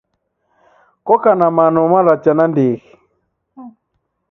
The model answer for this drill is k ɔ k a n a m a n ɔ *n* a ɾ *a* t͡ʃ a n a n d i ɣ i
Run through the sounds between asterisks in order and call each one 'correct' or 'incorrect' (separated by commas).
incorrect, correct